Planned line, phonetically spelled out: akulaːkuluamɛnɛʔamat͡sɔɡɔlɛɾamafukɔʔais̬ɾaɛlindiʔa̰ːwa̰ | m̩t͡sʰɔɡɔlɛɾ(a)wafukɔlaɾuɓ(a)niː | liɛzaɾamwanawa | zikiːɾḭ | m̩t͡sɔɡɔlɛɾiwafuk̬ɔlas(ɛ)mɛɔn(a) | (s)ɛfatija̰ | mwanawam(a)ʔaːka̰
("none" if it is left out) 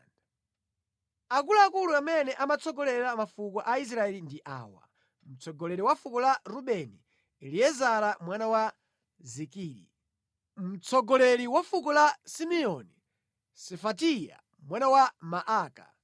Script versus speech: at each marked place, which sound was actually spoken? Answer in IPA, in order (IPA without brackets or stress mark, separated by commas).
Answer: i, ɛ, i, i, s, a